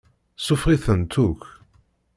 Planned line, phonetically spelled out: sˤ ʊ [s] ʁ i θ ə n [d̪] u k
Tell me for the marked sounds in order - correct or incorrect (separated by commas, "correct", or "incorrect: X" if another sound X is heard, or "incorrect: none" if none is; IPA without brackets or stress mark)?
incorrect: f, incorrect: t̪